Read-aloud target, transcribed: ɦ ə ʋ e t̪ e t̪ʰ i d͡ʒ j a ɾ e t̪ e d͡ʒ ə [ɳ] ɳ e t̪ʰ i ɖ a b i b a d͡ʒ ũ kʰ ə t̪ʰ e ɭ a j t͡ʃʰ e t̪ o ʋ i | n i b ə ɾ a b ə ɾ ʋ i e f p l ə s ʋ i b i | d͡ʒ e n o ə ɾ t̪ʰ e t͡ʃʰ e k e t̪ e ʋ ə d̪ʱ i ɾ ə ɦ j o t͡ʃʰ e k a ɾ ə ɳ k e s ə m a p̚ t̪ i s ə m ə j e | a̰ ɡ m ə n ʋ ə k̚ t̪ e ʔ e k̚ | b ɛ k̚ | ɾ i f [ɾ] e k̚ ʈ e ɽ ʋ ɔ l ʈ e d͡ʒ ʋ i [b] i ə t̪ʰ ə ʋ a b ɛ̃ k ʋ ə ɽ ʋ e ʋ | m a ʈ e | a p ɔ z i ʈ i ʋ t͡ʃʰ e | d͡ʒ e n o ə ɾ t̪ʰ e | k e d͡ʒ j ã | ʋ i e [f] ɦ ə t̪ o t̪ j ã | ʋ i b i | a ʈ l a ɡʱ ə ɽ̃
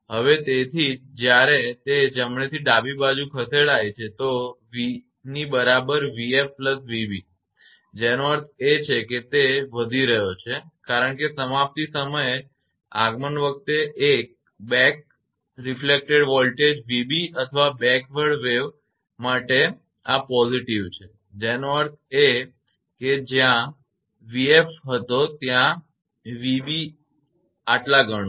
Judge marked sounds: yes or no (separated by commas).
no, no, yes, yes